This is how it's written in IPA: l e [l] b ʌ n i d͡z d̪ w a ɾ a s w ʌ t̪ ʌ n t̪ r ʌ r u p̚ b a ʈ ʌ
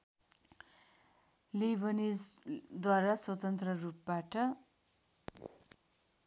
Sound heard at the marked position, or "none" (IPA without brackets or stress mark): none